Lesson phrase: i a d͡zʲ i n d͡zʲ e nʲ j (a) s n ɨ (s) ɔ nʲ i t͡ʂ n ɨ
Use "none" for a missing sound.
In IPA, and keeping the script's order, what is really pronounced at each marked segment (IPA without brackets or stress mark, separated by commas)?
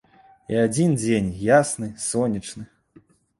a, s